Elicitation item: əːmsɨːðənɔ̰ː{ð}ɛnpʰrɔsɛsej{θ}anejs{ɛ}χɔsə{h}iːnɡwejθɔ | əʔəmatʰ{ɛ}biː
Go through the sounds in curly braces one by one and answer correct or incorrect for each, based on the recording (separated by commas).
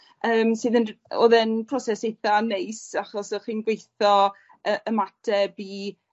correct, correct, incorrect, incorrect, correct